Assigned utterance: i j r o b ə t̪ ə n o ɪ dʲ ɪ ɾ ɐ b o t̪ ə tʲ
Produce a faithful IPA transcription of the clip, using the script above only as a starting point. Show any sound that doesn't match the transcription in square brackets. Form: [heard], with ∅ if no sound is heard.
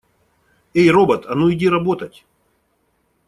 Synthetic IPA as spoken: [e] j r o b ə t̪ [ɐ] n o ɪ dʲ [i] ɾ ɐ b o t̪ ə tʲ